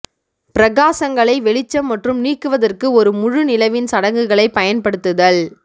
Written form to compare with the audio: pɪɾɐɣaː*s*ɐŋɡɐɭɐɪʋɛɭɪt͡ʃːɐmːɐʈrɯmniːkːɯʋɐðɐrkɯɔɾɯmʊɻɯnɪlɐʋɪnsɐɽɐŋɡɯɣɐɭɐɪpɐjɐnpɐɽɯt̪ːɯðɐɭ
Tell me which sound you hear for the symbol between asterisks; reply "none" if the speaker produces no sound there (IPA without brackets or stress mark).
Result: s